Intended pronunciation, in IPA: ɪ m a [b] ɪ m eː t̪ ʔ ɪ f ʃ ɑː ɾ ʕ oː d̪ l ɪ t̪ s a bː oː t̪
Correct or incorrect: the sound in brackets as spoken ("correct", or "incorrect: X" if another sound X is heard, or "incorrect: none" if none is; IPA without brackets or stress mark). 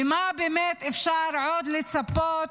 correct